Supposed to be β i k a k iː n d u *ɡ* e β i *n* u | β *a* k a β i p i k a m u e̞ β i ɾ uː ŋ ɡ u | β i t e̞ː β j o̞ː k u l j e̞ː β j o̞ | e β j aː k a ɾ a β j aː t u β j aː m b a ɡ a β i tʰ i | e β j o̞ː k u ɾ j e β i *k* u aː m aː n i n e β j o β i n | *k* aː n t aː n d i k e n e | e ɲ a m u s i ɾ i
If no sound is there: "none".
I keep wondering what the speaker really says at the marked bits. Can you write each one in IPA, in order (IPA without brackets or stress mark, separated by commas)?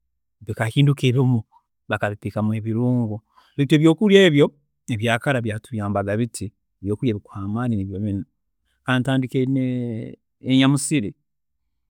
k, m, a, k, k